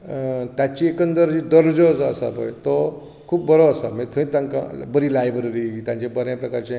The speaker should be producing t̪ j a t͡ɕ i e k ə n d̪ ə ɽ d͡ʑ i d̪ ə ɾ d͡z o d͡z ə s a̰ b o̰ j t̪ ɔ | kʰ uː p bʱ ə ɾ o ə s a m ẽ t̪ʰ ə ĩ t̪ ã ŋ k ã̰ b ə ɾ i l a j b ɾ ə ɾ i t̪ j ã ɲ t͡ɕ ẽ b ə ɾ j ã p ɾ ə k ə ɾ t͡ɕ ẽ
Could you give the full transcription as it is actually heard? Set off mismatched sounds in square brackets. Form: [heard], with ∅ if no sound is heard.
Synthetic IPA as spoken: t̪ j a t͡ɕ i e k ə n d̪ ə [ɾ] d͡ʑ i d̪ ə ɾ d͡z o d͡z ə s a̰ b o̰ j t̪ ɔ | kʰ uː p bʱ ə ɾ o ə s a m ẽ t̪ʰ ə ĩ t̪ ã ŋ k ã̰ b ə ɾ i l a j b ɾ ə ɾ i t̪ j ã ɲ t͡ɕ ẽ b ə ɾ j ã p ɾ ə k [a] ɾ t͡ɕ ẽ